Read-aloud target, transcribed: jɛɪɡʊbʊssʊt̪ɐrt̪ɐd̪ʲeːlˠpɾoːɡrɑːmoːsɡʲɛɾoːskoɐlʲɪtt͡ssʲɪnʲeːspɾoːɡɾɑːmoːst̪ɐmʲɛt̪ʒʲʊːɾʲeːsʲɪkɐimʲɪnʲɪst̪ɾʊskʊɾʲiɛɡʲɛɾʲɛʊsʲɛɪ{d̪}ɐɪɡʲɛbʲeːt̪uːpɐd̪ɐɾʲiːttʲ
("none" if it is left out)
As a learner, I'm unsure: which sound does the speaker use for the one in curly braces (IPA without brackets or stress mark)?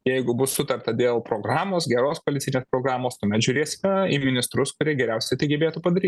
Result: t̪